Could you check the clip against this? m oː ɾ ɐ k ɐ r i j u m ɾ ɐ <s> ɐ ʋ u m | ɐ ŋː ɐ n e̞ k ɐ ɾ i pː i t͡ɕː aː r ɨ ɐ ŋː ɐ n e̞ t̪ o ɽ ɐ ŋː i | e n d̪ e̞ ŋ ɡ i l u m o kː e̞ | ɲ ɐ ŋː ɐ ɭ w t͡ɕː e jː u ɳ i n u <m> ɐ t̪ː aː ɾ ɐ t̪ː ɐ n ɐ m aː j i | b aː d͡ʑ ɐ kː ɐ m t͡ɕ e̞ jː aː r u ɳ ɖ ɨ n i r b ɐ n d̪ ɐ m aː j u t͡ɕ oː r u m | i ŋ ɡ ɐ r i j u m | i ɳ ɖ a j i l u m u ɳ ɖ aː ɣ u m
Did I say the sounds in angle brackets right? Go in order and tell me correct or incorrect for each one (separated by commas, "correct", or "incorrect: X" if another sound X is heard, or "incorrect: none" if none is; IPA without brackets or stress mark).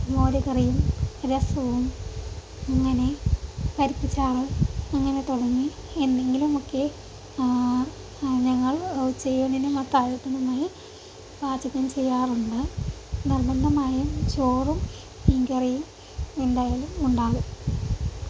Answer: correct, correct